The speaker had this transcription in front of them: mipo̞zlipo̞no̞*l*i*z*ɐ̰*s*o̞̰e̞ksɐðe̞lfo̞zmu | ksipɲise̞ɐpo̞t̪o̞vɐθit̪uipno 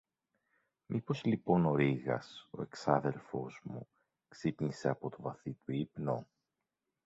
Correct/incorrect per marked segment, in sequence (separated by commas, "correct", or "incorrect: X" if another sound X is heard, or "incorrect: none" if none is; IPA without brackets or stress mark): incorrect: ɾ, incorrect: ɣ, correct